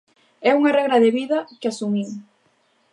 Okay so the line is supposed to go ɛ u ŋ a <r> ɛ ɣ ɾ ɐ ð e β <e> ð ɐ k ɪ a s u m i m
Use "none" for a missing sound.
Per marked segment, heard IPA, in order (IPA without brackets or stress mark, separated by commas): r, i